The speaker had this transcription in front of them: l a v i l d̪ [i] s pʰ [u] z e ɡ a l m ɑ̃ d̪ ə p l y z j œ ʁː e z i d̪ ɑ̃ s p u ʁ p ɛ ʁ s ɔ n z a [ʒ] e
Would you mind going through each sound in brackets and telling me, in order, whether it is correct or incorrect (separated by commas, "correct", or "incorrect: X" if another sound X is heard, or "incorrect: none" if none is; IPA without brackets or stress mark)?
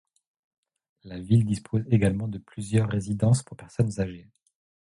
correct, incorrect: o, correct